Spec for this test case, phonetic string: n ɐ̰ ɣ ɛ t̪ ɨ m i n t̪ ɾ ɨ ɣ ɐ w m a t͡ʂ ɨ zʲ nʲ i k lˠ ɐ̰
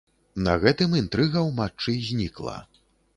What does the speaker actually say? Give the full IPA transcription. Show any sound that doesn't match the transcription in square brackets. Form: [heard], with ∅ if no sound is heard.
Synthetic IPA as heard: n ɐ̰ ɣ ɛ t̪ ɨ m i n t̪ ɾ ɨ ɣ ɐ w m a t͡ʂ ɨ zʲ nʲ i k lˠ ɐ̰